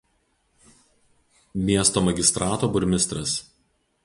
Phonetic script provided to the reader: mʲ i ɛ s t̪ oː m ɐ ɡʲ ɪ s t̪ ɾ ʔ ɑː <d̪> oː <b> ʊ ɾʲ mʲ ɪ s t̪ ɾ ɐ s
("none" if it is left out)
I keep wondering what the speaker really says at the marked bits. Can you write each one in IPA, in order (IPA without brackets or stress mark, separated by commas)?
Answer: t̪, b